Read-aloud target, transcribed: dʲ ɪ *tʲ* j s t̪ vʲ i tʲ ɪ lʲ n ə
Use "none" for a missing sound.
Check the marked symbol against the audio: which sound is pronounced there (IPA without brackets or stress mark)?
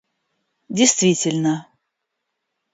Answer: none